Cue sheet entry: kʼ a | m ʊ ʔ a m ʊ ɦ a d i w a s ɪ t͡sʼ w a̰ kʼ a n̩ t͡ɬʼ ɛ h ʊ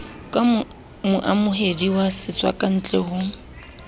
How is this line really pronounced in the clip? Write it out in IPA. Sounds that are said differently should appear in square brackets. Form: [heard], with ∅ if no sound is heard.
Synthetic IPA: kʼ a | m ʊ ʔ a m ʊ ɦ [e] d i w a s ɪ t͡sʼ w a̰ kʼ a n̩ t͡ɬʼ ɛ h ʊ